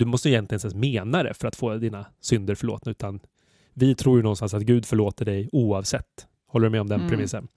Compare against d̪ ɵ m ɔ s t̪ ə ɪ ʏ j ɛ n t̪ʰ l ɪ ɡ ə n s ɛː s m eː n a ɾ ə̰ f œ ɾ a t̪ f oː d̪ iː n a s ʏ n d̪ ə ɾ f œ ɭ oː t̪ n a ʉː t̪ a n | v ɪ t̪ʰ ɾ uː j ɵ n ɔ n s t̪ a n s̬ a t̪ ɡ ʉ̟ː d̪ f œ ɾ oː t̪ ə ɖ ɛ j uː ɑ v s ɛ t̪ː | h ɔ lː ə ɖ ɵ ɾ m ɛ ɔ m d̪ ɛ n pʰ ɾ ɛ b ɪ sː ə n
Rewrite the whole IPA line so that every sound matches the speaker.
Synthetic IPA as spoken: d̪ ɵ m ɔ s t̪ ə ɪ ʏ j ɛ n t̪ l ɪ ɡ ə n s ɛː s m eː n a ɾ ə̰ f œ ɾ a t̪ f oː d̪ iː n a s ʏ n d̪ ə ɾ f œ ɭ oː t̪ n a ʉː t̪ a n | v ɪ t̪ʰ ɾ uː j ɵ n ɔ n s t̪ a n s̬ a t̪ ɡ ʉ̟ː d̪ f œ ɭ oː t̪ ə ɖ ɛ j uː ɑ v s ɛ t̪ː | h ɔ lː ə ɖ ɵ m ɛ ɔ m d̪ ɛ n pʰ ɾ ɛ m ɪ sː ə n